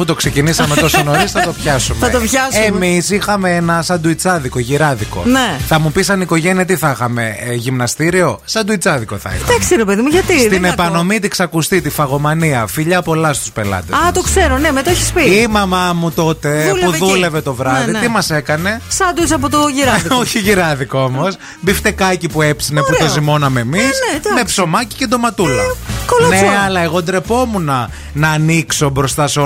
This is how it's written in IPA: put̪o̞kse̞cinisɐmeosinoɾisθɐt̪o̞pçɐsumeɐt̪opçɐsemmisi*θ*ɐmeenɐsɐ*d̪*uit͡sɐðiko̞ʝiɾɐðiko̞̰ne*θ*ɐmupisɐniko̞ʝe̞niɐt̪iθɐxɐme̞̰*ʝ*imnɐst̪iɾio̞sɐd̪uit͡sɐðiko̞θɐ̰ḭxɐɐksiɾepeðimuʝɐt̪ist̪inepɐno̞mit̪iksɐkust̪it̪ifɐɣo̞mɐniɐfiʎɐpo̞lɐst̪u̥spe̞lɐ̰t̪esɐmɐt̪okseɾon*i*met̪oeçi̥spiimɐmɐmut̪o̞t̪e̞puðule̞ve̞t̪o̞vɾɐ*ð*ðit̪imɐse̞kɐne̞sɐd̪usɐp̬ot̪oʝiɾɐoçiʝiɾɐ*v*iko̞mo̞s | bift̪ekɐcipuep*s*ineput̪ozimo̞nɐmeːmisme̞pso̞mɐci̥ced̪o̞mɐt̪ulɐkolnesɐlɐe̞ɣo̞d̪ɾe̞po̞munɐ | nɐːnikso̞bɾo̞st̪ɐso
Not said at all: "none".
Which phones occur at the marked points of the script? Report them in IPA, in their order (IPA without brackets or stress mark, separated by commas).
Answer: x, d̪, θ, ʝ, e, ð, ð, s